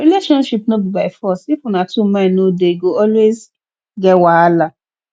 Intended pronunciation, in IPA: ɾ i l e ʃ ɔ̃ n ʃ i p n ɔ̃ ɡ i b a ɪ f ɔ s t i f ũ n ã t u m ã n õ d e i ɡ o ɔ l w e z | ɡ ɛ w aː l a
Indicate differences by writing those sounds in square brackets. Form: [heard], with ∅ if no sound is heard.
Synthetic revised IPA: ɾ i l e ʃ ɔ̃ n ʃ i p n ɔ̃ [b] i b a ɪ f ɔ s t i f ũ n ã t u m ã n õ d e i ɡ o ɔ l w e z | ɡ ɛ w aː l a